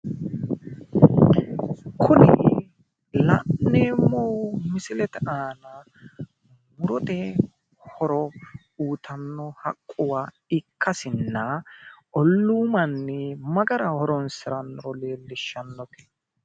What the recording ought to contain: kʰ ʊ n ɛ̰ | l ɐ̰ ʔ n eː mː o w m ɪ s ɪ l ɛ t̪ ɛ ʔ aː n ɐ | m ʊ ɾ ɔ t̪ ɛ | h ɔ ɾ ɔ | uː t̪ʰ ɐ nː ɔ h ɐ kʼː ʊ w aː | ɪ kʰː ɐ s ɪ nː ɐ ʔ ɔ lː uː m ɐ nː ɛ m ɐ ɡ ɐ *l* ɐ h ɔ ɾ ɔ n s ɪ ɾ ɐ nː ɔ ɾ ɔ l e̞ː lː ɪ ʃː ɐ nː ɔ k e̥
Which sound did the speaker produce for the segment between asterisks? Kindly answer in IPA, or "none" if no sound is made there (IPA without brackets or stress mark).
ɾ